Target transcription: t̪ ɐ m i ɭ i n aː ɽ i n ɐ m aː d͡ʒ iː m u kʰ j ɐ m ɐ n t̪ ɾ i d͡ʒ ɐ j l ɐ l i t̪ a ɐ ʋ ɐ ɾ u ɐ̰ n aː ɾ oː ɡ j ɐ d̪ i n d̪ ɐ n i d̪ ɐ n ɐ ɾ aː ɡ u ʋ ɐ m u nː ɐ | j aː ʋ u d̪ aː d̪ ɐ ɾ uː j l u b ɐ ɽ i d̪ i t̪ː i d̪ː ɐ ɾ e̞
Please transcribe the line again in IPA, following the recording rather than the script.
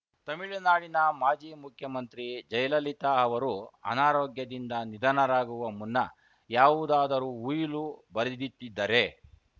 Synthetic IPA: t̪ ɐ m i ɭ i n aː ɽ i n ɐ m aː d͡ʒ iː m u kʰ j ɐ m ɐ n t̪ ɾ i d͡ʒ ɐ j l ɐ l i t̪ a ɐ ʋ ɐ ɾ u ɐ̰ n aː ɾ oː ɡ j ɐ d̪ i n d̪ ɐ n i d̪ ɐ n ɐ ɾ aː ɡ u ʋ ɐ m u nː ɐ | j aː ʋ u d̪ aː d̪ ɐ ɾ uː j l u b ɐ ɾ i d̪ i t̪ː i d̪ː ɐ ɾ e̞